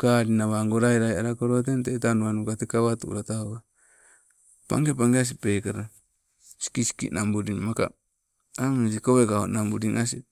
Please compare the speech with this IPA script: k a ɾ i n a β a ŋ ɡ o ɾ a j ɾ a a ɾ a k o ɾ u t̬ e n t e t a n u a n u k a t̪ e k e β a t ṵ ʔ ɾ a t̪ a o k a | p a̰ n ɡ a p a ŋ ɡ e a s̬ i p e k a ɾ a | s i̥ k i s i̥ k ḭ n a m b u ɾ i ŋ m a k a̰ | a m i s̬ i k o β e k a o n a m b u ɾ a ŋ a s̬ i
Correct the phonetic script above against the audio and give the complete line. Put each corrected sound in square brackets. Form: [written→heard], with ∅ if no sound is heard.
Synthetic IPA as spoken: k a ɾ i n a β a ŋ ɡ o ɾ a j ɾ a a ɾ a k o ɾ [u→o] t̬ e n t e t a n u a n u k a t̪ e k [e→a] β a t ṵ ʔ ɾ a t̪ a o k a | p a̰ [n→ŋ] ɡ [a→e] p a ŋ ɡ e a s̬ i p e k a ɾ a | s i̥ k i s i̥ k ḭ n a m b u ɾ i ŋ m a k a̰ | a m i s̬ i k o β e k a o n a m b u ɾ [a→i] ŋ a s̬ i